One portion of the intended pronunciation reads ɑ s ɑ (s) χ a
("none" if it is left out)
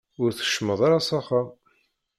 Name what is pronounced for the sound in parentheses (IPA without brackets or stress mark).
none